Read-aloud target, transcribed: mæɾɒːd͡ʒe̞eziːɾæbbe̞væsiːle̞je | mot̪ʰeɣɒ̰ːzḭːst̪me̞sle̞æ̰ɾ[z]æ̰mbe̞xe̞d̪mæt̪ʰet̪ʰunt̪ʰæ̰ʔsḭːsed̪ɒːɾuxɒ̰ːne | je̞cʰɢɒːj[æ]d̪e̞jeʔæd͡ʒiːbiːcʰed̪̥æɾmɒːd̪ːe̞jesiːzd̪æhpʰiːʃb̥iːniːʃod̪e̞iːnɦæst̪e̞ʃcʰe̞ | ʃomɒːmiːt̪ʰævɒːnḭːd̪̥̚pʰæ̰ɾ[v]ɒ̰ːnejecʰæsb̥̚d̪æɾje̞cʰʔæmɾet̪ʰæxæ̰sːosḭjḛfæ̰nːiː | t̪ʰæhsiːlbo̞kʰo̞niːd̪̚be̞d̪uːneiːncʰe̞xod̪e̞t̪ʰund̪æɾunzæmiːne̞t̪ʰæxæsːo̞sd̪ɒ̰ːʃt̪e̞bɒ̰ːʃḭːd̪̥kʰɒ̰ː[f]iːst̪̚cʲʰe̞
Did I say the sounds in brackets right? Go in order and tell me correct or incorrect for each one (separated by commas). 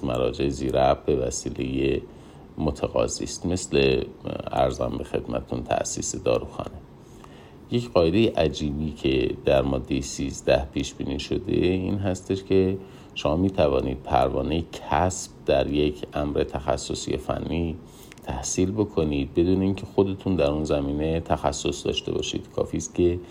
correct, incorrect, correct, correct